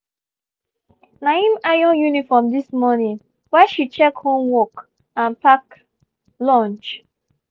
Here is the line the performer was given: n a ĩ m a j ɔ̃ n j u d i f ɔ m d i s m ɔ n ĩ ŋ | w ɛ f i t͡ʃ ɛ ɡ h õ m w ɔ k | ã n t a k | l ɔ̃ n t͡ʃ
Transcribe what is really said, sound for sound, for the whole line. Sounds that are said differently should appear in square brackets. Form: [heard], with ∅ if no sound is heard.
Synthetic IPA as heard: n a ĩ m a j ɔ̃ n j u [n] i f ɔ m d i s m ɔ n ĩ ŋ | w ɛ [ʃ] i t͡ʃ ɛ [k] h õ m w ɔ k | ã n [p] a k | l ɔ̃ n t͡ʃ